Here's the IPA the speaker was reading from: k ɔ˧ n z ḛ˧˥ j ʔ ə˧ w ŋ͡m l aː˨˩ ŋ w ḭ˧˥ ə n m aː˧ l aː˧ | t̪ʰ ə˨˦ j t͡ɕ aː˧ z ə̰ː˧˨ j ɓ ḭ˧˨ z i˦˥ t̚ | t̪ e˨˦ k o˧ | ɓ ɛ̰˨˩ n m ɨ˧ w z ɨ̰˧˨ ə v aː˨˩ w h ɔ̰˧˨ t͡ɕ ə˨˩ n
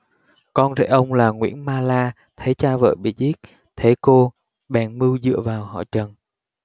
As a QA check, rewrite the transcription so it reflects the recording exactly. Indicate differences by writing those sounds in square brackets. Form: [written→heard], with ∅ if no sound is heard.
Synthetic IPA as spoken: k ɔ˧ n z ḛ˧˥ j ʔ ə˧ w ŋ͡m l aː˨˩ ŋ w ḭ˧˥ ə n m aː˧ l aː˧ | t̪ʰ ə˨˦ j t͡ɕ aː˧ [z→v] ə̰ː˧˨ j ɓ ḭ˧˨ z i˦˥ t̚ | [t̪→t̪ʰ] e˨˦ k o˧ | ɓ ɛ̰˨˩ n m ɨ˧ w z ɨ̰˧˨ ə v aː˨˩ w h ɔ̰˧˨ t͡ɕ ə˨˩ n

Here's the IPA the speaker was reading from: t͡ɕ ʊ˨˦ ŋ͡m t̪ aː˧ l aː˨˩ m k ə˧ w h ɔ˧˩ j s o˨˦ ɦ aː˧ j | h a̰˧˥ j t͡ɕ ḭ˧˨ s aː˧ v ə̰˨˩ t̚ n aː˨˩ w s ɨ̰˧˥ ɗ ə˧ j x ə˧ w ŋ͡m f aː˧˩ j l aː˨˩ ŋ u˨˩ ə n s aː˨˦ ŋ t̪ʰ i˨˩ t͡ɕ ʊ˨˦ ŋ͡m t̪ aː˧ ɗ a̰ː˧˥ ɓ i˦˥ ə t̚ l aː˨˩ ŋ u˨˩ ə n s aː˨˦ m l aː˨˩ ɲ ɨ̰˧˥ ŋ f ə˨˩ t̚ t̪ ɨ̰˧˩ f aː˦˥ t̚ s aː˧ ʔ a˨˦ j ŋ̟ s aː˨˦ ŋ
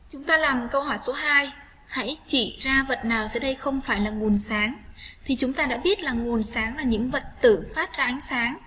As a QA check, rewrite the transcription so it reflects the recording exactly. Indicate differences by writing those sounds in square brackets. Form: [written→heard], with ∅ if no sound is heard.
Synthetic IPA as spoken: t͡ɕ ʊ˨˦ ŋ͡m t̪ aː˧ l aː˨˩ m k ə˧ w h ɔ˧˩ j s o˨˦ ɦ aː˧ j | h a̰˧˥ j t͡ɕ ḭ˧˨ [s→z] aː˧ v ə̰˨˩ t̚ n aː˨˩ w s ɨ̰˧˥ ɗ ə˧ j x ə˧ w ŋ͡m f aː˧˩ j l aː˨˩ ŋ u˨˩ ə n s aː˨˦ ŋ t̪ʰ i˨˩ t͡ɕ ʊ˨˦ ŋ͡m t̪ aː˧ ɗ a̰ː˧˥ ɓ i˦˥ ə t̚ l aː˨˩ ŋ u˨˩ ə n s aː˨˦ [m→ŋ] l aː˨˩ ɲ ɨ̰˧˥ ŋ [f→v] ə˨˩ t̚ t̪ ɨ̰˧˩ f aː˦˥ t̚ [s→z] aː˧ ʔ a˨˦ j ŋ̟ s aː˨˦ ŋ

